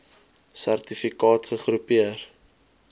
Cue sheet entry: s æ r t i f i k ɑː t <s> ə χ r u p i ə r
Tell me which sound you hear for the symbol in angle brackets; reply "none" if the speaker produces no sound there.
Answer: χ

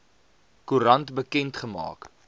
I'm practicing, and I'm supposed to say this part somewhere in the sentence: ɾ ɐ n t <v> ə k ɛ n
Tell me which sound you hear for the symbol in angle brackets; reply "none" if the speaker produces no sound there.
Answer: b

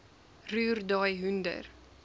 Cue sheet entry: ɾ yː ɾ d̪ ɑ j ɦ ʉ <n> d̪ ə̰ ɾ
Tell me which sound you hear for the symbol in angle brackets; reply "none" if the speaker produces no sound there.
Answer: n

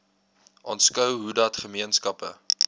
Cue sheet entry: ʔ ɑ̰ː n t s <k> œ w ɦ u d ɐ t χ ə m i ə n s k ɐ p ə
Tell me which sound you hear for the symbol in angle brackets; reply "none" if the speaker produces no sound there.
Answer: k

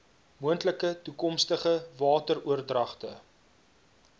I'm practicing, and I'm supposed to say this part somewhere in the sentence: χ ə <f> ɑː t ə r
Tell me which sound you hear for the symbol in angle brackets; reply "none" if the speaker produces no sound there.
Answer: v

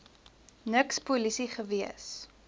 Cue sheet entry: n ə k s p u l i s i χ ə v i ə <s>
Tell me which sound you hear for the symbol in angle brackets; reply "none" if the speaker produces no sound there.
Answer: s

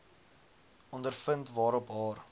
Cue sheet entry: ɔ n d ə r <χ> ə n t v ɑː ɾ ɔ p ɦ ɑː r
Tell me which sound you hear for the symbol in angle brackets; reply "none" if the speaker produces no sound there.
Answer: f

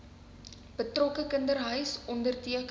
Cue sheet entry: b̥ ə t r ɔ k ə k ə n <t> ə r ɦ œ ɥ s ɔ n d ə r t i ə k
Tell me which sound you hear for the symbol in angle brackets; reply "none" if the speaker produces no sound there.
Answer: d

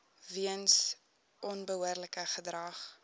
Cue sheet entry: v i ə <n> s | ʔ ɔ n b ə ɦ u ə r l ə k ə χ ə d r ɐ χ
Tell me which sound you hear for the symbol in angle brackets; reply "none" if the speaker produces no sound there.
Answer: n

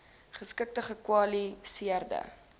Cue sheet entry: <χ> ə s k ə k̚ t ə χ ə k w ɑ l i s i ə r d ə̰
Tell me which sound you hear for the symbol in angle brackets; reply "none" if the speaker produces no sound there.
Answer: χ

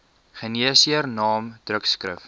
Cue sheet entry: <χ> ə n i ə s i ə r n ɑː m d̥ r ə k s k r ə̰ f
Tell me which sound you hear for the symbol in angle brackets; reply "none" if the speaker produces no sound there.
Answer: χ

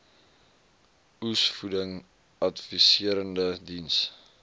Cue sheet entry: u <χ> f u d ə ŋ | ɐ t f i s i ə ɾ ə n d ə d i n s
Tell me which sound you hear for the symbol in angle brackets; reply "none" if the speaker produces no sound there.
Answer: s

